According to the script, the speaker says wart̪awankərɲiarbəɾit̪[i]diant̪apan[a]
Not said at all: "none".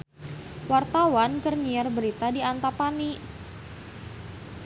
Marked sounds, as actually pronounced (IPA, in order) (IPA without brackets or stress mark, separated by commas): a, i